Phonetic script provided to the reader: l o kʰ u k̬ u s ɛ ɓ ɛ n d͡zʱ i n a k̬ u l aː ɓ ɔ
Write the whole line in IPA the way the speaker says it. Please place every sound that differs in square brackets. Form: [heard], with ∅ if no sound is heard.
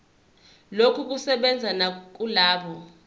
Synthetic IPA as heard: l o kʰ u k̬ u s ɛ ɓ ɛ n d͡zʱ [a] n a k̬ u l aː ɓ ɔ